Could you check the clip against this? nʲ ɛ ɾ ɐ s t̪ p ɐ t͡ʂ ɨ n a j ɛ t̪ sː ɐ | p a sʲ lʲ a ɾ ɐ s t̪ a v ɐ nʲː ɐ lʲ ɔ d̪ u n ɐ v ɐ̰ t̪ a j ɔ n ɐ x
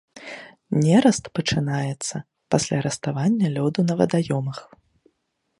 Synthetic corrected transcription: nʲ ɛ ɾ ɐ s t̪ p ɐ t͡ʂ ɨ n a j ɛ t̪ sː ɐ | p a sʲ lʲ a ɾ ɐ s t̪ a v a nʲː ɐ lʲ ɔ d̪ u n ɐ v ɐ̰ d̪ a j ɔ m ɐ x